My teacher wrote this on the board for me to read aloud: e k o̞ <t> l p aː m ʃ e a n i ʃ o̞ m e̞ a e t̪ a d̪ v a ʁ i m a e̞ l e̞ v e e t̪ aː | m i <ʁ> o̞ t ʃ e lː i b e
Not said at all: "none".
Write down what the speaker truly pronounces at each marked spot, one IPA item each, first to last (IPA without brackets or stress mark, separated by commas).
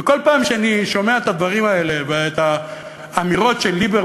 none, ʁ